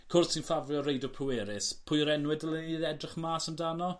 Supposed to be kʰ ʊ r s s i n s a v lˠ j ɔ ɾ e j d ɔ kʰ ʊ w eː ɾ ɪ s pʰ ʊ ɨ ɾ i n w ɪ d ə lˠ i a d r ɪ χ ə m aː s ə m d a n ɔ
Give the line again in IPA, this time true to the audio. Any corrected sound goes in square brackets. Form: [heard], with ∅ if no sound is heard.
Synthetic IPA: kʰ ʊ r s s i n [f] a v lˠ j ɔ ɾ e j d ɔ [pʰ] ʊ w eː ɾ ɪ s pʰ ʊ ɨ ɾ [ɛ] n w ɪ d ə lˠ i [ɛ] d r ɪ χ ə m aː s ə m d a n ɔ